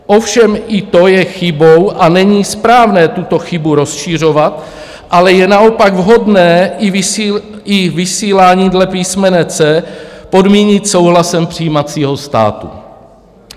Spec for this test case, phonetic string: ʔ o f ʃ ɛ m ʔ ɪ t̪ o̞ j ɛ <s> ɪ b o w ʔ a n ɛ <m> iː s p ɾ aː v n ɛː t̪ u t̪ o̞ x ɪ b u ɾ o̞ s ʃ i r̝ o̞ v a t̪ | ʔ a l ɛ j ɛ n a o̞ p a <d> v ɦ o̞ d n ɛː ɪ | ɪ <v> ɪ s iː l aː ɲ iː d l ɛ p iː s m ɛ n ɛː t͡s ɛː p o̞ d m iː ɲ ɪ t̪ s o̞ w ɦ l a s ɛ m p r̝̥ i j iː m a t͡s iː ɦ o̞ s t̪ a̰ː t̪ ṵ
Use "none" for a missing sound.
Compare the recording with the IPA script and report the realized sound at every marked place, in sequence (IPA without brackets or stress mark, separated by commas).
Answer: x, ɲ, ɡ, v